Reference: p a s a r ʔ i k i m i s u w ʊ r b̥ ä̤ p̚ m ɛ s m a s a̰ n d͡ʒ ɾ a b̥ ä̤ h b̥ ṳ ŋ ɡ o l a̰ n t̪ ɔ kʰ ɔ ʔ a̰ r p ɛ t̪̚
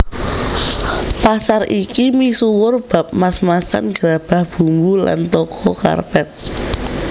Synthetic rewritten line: p a s a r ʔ i k i m i s u w ʊ r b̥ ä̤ p̚ m a s m a s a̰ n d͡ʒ ɾ a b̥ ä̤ h b̥ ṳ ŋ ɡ u l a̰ n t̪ ɔ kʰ ɔ k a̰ r p ɛ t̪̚